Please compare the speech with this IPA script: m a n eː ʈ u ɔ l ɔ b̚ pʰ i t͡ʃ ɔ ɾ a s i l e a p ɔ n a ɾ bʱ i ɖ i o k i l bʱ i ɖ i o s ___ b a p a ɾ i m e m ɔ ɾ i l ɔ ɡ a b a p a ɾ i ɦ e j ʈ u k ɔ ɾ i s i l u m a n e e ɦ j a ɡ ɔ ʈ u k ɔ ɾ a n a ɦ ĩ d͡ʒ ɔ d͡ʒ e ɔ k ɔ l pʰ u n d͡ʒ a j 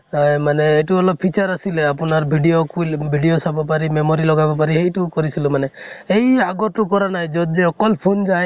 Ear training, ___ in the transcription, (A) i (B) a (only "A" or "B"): B